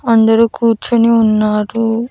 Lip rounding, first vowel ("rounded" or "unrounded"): unrounded